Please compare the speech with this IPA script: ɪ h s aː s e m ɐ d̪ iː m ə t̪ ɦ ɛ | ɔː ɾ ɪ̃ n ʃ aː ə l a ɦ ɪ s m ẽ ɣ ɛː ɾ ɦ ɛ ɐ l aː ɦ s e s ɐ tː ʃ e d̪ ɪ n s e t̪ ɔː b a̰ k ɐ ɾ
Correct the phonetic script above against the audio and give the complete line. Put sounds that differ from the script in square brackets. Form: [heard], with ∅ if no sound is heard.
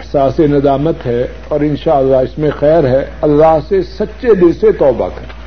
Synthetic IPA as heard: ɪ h s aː s e [n] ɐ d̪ [aː] m ə t̪ ɦ ɛ | ɔː ɾ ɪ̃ n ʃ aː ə [lː] a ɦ ɪ s m ẽ [x] ɛː ɾ ɦ ɛ ɐ [lː] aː ɦ s e s ɐ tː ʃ e d̪ ɪ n s e t̪ ɔː b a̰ k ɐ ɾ